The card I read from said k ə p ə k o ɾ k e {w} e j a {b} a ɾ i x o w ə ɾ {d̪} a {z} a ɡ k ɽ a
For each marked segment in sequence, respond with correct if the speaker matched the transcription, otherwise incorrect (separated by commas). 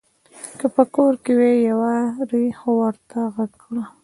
correct, incorrect, incorrect, incorrect